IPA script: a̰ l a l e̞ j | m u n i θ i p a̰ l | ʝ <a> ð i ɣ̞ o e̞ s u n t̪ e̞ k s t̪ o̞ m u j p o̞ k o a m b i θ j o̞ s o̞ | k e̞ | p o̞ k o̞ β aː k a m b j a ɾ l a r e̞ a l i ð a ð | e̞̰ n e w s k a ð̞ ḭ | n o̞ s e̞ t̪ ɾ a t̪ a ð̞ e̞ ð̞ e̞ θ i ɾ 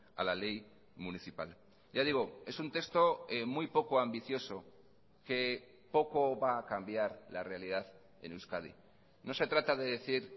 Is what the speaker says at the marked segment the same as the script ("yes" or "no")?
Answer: yes